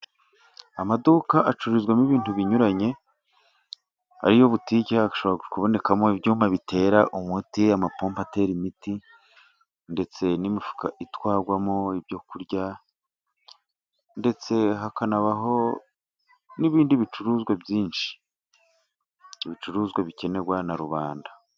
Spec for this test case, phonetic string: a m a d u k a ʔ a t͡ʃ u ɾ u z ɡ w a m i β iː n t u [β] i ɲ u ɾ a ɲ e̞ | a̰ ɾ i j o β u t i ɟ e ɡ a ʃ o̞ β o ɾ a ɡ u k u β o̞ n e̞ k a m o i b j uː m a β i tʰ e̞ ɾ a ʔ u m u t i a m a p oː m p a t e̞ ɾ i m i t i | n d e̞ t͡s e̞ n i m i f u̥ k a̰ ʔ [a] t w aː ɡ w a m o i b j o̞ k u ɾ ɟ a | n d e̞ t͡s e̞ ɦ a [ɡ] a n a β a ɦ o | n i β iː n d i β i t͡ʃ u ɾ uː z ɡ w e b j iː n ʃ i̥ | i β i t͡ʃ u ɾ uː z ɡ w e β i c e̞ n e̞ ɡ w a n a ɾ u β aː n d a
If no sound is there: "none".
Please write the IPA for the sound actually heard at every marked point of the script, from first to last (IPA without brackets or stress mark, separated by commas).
β, i, k